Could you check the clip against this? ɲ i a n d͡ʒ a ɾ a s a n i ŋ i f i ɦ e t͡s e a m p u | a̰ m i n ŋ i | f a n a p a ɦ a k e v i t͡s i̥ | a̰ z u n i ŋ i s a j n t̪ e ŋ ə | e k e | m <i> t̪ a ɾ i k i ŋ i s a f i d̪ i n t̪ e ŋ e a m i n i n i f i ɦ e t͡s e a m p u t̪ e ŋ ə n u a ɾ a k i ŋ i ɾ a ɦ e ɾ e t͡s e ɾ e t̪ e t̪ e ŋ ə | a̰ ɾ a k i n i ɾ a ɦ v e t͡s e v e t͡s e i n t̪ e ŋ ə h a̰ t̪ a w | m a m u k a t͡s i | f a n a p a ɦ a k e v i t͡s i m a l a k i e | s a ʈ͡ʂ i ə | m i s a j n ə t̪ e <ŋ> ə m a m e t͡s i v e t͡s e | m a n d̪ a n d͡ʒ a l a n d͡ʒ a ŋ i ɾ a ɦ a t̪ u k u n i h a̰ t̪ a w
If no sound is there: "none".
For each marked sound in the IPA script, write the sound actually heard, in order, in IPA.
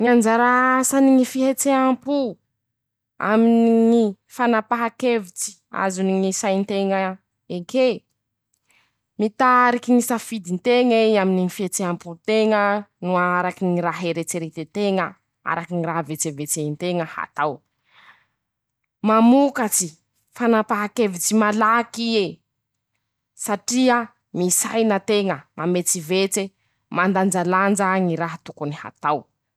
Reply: i, ŋ

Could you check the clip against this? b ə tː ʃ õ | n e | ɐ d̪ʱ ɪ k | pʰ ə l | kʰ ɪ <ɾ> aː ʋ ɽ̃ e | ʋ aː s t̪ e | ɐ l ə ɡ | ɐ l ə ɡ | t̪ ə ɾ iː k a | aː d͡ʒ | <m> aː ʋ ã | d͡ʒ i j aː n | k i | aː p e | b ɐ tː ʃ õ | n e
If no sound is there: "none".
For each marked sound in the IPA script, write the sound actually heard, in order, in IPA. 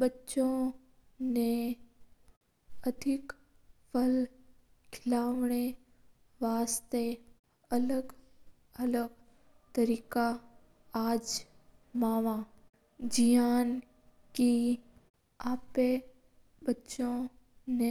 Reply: l, m

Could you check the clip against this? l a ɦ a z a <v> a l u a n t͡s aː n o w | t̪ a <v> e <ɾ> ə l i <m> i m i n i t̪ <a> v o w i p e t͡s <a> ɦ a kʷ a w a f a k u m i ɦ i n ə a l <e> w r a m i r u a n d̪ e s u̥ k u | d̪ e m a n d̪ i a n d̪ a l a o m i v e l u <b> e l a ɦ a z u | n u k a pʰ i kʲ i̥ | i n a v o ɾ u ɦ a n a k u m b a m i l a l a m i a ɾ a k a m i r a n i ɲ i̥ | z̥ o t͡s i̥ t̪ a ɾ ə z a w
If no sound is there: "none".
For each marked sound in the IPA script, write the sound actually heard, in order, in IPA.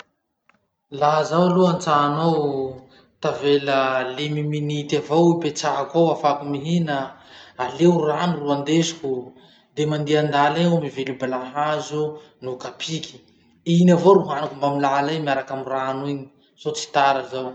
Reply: w, v, l, m, a, a, e, b

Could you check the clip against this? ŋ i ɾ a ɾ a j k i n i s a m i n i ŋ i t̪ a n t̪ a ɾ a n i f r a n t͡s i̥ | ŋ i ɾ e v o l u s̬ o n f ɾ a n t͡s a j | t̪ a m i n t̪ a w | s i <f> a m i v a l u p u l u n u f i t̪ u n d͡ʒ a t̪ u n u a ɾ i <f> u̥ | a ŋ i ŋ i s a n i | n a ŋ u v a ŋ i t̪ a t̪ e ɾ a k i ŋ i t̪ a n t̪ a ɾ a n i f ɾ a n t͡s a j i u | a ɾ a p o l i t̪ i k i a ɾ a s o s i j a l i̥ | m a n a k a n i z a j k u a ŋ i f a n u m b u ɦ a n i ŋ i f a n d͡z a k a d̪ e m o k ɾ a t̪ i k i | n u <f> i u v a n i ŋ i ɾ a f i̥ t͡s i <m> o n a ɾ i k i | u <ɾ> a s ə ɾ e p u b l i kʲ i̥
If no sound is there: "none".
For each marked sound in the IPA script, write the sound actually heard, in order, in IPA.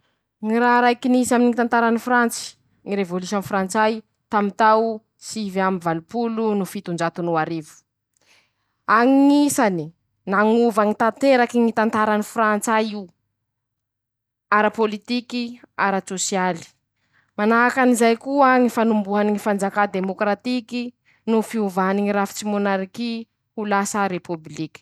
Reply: v, v, f, m, l

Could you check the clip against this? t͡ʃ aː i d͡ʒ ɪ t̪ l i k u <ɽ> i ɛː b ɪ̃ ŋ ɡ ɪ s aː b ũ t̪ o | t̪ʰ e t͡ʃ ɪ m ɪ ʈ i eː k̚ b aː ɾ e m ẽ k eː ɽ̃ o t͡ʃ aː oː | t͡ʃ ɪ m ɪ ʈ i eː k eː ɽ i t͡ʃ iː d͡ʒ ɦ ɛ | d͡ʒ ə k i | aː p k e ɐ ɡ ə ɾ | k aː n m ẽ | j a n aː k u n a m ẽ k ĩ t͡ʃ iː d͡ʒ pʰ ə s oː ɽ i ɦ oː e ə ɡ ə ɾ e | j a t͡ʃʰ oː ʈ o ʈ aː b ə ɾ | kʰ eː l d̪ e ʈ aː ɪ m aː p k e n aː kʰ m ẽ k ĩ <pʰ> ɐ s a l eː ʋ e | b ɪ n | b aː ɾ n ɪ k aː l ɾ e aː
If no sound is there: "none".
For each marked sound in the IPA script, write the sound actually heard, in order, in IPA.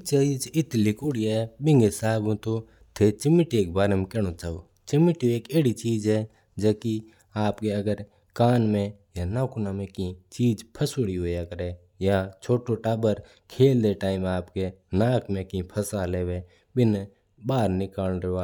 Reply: ɽ, pʰ

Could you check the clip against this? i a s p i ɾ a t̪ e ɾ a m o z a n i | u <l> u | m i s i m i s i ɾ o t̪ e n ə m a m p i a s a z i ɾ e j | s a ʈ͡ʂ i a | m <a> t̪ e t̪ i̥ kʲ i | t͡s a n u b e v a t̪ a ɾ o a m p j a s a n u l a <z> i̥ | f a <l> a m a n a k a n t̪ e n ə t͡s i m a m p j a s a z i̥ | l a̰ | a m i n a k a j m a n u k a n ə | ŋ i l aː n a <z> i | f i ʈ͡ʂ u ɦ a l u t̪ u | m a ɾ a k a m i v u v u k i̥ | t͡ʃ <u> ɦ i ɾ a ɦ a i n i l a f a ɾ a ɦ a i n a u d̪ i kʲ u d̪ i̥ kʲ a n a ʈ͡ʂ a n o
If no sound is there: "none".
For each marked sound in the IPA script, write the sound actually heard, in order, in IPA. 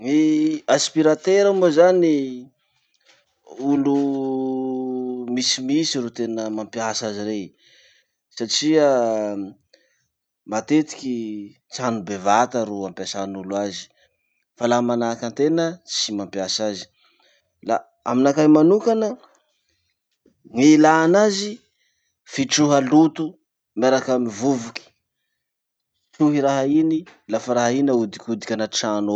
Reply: l, a, z, l, z, u

